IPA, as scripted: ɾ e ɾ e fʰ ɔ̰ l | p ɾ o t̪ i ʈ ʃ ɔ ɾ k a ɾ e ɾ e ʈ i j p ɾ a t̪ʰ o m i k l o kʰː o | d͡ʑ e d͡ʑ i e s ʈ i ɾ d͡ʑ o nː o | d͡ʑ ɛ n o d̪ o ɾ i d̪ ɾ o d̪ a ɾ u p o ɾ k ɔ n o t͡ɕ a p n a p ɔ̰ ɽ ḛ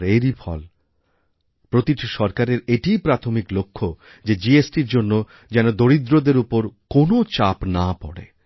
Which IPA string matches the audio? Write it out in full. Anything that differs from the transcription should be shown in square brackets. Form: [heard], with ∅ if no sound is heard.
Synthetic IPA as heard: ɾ e ɾ [i] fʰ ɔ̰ l | p ɾ o t̪ i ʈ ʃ ɔ ɾ k a ɾ e ɾ e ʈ i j p ɾ a t̪ʰ o m i k l o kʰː o | d͡ʑ e d͡ʑ i e s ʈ i ɾ d͡ʑ o nː o | d͡ʑ ɛ n o d̪ o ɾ i d̪ ɾ o d̪ [e] ɾ u p o ɾ k [o] n o t͡ɕ a p n a p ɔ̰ ɽ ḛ